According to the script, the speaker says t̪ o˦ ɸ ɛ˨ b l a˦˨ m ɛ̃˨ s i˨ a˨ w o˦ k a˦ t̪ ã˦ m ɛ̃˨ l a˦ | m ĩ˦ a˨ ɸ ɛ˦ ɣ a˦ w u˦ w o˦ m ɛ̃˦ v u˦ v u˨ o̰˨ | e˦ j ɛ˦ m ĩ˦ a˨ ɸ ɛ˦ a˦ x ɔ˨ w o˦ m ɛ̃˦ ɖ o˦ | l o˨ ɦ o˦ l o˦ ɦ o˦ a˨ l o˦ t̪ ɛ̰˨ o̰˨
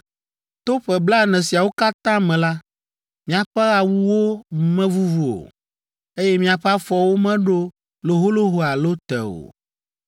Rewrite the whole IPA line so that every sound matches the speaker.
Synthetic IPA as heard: t̪ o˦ ɸ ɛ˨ b l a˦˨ n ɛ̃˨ s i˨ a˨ w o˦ k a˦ t̪ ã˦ m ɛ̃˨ l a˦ | m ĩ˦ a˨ ɸ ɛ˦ ɣ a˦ w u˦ w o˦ m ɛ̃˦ v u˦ v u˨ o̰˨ | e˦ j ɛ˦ m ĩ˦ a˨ ɸ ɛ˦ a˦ f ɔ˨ w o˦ m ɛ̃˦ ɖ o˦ | l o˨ ɦ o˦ l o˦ ɦ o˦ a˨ l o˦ t̪ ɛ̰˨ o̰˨